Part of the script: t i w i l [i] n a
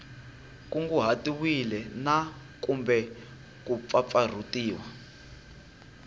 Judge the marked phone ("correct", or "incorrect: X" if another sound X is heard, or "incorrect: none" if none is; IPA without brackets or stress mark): incorrect: ɛ